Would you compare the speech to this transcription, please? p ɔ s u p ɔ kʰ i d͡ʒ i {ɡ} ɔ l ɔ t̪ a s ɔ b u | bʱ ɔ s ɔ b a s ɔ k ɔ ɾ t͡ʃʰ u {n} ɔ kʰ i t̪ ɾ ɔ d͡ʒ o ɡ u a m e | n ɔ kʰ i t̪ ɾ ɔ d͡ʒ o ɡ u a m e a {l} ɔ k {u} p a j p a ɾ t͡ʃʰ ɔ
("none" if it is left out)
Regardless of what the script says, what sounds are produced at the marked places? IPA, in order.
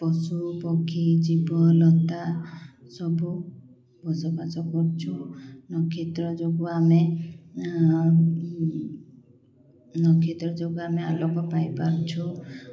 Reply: b, n, l, ɔ

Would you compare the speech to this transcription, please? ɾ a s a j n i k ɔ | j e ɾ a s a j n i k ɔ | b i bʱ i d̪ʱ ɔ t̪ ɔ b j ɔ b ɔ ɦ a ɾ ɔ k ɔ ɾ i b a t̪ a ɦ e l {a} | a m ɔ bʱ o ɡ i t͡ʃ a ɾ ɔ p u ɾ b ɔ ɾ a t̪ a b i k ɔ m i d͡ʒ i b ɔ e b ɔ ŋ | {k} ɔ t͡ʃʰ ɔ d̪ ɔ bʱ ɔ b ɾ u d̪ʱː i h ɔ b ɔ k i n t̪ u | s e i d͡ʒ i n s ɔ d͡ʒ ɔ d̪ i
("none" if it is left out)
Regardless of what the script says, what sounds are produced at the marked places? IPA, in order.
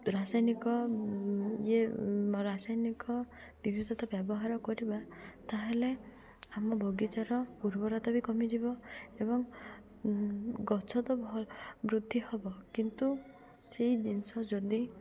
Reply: e, ɡ

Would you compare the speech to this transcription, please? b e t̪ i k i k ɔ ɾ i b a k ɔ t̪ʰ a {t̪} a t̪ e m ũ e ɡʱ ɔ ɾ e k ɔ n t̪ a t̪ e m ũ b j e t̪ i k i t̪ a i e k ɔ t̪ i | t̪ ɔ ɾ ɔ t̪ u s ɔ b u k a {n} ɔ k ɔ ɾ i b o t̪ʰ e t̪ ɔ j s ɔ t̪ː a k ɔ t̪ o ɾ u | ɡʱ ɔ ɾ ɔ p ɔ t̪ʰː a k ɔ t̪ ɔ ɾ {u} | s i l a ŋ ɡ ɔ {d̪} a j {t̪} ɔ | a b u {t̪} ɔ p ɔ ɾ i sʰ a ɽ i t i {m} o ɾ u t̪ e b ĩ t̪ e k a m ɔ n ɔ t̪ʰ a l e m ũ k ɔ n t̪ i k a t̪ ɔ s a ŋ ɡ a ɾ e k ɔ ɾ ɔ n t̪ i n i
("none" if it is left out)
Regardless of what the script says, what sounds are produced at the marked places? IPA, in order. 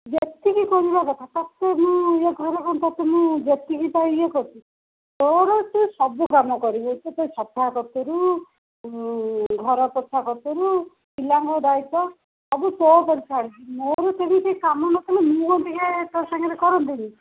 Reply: t̪, m, u, d̪, t̪, t̪, m

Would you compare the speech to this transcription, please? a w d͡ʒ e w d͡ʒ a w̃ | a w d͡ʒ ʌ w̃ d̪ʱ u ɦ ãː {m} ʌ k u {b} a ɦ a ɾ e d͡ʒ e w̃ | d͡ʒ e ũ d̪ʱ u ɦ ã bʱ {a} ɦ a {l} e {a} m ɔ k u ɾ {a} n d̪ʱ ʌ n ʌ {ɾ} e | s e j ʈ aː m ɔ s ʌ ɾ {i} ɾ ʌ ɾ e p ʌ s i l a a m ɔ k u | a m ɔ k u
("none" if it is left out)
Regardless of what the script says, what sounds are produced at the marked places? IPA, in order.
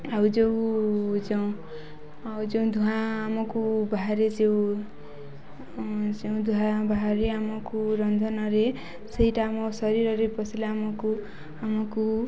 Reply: m, b, a, ɾ, a, ʌ, ɾ, i

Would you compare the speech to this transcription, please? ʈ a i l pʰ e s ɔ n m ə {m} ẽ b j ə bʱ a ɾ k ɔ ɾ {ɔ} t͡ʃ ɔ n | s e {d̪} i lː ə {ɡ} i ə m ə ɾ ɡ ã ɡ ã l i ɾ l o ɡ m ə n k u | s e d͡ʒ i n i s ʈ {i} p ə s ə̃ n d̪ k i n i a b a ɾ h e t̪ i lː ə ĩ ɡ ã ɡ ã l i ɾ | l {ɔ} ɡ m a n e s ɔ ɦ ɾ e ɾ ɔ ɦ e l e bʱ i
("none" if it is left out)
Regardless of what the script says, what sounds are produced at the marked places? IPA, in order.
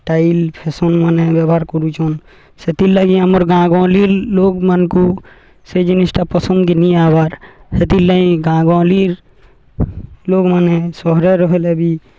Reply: n, u, t̪, ɡ, a, o

